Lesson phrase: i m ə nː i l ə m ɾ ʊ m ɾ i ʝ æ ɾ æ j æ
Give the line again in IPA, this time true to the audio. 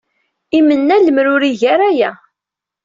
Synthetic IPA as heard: i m ə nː æ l ə m ɾ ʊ ɾ i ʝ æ ɾ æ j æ